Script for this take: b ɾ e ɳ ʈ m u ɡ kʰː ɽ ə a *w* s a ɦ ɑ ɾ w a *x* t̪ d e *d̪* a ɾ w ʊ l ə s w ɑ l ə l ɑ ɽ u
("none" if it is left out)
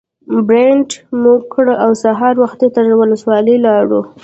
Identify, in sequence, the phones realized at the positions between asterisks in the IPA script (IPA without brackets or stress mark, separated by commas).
w, x, t̪